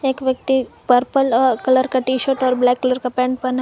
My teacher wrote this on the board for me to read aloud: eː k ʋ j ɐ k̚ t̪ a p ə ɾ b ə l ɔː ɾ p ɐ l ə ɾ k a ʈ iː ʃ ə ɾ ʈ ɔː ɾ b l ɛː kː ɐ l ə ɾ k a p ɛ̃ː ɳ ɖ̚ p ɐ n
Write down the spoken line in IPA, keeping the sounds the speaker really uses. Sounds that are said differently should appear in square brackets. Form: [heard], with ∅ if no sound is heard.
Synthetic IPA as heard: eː k ʋ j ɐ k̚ t̪ [i] p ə ɾ [p] ə l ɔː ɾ [k] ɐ l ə ɾ k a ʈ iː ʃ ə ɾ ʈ ɔː ɾ b l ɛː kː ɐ l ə ɾ k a p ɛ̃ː ɳ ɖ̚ p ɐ n